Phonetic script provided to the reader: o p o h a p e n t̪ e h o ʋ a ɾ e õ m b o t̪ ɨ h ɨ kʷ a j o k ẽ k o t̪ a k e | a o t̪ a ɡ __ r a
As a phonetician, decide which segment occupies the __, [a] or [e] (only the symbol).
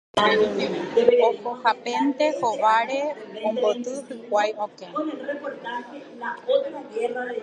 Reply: e